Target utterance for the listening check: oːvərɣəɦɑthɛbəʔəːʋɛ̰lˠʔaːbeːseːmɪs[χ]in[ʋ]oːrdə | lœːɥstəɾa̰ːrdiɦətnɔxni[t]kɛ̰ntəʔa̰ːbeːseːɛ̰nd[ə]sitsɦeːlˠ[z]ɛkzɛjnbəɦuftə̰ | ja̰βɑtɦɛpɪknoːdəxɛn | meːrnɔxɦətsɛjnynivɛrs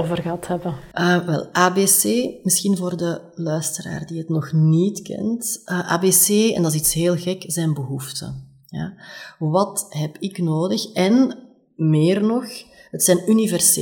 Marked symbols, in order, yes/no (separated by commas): no, no, yes, no, no